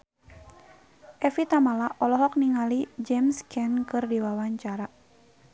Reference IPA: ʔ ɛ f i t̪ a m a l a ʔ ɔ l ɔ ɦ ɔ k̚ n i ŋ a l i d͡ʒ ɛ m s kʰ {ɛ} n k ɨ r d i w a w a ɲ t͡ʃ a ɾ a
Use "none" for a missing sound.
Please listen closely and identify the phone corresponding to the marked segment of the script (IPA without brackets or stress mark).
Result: ɛ